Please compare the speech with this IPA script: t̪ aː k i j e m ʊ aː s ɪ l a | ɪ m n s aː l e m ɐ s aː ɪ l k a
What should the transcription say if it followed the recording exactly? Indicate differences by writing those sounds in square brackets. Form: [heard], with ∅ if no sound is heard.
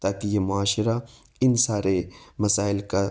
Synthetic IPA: t̪ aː k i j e m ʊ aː [ʃ] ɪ [ɾ] a | ɪ [∅] n s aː [ɾ] e m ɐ s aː ɪ l k a